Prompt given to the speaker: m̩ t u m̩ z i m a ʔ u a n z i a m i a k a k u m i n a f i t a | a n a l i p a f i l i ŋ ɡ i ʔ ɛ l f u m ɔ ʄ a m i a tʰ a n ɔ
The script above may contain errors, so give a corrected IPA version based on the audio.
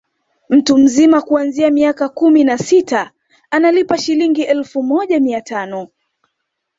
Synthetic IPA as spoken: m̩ t u m̩ z i m a k u a n z i a m i a k a k u m i n a s i t a | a n a l i p a ʃ i l i ŋ ɡ i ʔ ɛ l f u m ɔ ʄ a m i a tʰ a n ɔ

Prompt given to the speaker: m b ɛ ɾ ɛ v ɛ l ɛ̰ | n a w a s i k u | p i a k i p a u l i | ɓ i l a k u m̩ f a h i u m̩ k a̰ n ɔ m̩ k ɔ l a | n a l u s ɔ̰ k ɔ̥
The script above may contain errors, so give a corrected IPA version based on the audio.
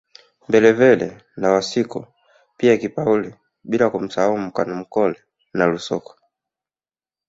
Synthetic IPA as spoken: m b ɛ l ɛ v ɛ l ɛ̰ | n a w a s i k u | p i a k i p a u l i | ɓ i l a k u m̩ s a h a u m̩ k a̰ n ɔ m̩ k ɔ l ɛ | n a l u s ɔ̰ k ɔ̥

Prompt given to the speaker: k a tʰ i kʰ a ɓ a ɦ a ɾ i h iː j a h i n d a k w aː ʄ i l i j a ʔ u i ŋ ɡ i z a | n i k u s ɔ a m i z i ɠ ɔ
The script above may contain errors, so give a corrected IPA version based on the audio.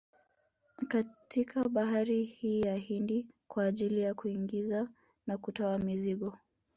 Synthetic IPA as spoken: k a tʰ i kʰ a ɓ a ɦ a ɾ i h iː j a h i n d i k w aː ʄ i l i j a k u i ŋ ɡ i z a | n a k u t ɔ a m i z i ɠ ɔ

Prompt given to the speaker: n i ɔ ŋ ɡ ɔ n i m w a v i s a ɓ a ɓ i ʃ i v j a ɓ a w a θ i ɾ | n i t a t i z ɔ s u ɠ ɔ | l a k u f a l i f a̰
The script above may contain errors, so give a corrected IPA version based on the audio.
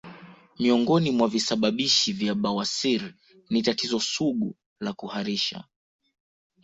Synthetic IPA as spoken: m i ɔ ŋ ɡ ɔ n i m w a v i s a ɓ a ɓ i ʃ i v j a ɓ a w a s i ɾ | n i t a t i z ɔ s u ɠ u | l a k u h a ɾ i ʃ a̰

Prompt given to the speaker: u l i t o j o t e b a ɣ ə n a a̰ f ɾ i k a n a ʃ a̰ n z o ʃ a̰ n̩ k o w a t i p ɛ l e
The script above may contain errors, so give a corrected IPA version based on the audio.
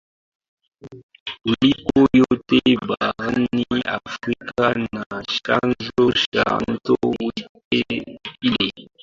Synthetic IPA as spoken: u l i k o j o t e b a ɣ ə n i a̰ f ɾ i k a n a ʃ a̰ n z o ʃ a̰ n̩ t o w i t e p i l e

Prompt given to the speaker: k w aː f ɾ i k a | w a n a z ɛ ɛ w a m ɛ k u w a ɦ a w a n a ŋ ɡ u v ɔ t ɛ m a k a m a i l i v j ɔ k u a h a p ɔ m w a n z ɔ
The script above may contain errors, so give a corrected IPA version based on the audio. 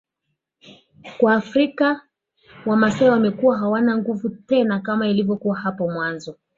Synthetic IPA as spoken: k w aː f ɾ i k a | w a m a s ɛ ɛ w a m ɛ k u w a ɦ a w a n a ŋ ɡ u v u t ɛ n a k a m a i l i v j ɔ k u a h a p ɔ m w a n z ɔ

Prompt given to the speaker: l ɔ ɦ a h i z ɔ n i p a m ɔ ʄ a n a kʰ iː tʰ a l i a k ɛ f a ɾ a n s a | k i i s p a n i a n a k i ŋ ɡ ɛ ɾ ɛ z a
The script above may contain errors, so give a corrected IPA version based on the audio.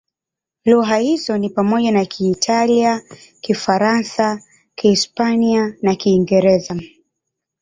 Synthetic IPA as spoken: l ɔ ɦ a h i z ɔ n i p a m ɔ ʄ a n a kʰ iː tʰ a l i a k i f a ɾ a n s a | k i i s p a n i a n a k iː ŋ ɡ ɛ ɾ ɛ z a

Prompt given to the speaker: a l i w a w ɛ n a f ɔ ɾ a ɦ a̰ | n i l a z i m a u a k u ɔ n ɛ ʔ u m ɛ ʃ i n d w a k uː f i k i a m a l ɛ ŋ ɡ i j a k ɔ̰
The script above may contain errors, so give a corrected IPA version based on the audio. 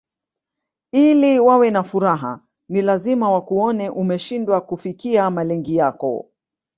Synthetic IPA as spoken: i l i w a w ɛ n a f u ɾ a ɦ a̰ | n i l a z i m a w a k u ɔ n ɛ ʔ u m ɛ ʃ i n d w a k u f i k i a m a l ɛ ŋ ɡ i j a k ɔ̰

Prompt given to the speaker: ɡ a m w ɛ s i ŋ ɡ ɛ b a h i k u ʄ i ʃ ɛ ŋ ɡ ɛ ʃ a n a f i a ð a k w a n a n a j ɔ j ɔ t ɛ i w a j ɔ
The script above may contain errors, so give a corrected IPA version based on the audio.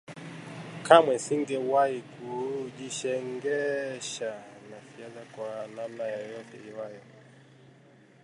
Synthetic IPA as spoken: k a m w ɛ s i ŋ ɡ ɛ w a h i k u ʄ i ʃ ɛ ŋ ɡ ɛ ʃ a n a f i a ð a k w a n a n a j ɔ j ɔ t ɛ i w a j ɔ

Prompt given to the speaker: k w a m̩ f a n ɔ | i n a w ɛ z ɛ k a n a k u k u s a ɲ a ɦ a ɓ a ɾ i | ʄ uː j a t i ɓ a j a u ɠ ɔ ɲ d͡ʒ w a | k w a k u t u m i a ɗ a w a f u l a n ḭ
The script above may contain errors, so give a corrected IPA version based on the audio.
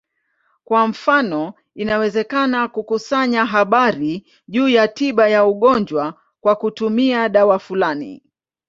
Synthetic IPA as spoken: k w a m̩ f a n ɔ | i n a w ɛ z ɛ k a n a k u k u s a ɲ a ɦ a ɓ a ɾ i | ʄ uː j a t i ɓ a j a u ɠ ɔ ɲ d͡ʒ w a | k w a k u t u m i a ɗ a w a f u l a n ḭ

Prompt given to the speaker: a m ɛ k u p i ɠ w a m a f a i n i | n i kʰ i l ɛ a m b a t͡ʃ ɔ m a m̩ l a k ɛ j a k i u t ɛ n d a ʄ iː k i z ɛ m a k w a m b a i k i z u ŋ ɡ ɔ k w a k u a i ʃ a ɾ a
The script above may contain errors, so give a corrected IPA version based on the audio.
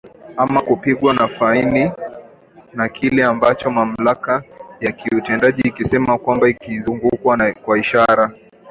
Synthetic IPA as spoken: a m a k u p i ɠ w a n a f a i n i | n a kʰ i l ɛ a m b a t͡ʃ ɔ m a m̩ l a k a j a k i u t ɛ n d a ʄ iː k i s ɛ m a k w a m b a i k i z u ŋ ɡ u k w a k w a i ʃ a ɾ a

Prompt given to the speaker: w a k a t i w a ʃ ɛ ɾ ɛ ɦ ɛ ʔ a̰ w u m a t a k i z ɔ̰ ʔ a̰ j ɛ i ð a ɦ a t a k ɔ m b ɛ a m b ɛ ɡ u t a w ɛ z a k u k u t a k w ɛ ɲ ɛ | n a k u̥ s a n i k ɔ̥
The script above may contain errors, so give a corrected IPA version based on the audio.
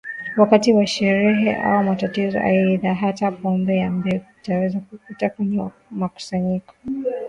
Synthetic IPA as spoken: w a k a t i w a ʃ ɛ ɾ ɛ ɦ ɛ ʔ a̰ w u m a t a t i z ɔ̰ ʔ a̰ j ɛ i ð a ɦ a t a p ɔ m b ɛ a m b ɛ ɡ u t a w ɛ z a k u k u t a k w ɛ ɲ ɛ | m a k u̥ s a ɲ i k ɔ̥

